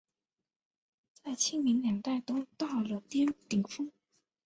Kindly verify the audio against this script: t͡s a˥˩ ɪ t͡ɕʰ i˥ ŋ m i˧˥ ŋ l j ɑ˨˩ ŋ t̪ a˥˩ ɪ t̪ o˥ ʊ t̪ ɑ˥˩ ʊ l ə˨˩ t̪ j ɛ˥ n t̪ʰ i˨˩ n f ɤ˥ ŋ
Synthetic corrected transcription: t͡s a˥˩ ɪ t͡ɕʰ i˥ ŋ m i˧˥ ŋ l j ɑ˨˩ ŋ t̪ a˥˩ ɪ t̪ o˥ ʊ t̪ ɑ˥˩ ʊ l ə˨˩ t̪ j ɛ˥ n t̪ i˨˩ ŋ f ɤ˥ ŋ